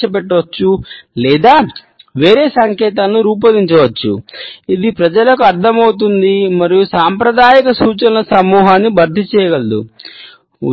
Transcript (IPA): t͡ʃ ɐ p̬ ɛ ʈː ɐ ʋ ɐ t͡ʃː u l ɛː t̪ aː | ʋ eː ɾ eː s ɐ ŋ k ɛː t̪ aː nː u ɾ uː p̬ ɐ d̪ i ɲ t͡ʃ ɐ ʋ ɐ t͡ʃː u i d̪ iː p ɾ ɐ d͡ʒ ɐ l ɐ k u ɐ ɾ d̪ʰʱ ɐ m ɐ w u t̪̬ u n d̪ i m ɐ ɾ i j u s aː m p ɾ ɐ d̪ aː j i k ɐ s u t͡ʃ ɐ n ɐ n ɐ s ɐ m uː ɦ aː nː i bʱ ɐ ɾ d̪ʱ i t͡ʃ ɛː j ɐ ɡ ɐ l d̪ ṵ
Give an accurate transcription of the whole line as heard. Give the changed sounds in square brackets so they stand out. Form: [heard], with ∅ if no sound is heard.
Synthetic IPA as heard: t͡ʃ ɐ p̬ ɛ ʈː ɐ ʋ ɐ t͡ʃː u l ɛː [d̪] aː | ʋ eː ɾ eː s ɐ ŋ k ɛː t̪ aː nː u ɾ uː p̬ ɐ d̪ i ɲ t͡ʃ ɐ ʋ ɐ t͡ʃː u i d̪ [i] p ɾ ɐ d͡ʒ ɐ l ɐ k u ɐ ɾ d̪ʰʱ ɐ m ɐ w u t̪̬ u n d̪ i m ɐ ɾ i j u s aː m p ɾ ɐ d̪ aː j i k ɐ s [uː] t͡ʃ ɐ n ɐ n ɐ s ɐ m uː ɦ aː nː i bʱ ɐ ɾ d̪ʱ i t͡ʃ ɛː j ɐ ɡ ɐ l d̪ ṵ